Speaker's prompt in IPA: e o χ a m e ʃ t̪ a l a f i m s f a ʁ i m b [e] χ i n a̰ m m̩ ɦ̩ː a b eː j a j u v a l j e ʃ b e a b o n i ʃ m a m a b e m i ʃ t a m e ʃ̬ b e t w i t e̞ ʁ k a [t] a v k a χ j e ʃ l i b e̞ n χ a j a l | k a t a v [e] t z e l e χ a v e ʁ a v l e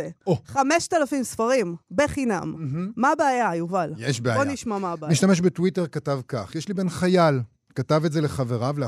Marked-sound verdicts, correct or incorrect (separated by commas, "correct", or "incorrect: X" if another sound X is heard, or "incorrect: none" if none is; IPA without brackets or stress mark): correct, correct, correct